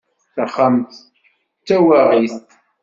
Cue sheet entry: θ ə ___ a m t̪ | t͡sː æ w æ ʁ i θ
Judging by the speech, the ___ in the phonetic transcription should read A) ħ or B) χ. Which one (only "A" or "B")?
B